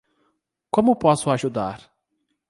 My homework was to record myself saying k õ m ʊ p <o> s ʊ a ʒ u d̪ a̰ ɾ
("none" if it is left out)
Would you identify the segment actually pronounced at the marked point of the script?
ɔ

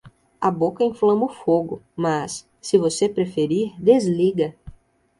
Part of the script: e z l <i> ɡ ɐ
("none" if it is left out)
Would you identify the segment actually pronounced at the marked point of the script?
i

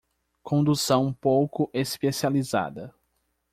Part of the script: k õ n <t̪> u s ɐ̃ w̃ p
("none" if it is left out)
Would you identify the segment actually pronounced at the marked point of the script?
d̪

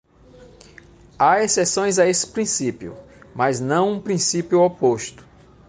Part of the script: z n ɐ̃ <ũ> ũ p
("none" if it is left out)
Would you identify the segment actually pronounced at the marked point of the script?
w̃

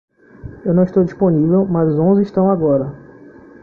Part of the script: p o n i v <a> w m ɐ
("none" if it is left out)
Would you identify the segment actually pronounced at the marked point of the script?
e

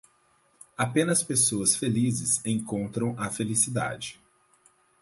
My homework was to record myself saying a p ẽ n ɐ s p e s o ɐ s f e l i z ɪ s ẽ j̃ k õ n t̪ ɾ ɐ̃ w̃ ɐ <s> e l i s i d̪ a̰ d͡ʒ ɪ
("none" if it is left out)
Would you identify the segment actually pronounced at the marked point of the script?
f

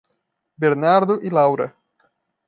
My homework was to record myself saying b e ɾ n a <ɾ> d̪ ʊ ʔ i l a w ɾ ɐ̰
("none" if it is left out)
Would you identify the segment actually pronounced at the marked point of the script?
ɾ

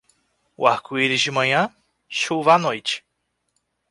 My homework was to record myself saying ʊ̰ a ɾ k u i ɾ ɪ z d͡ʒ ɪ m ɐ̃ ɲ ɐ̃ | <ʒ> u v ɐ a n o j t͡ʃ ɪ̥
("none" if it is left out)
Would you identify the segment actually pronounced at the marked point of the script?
ʃ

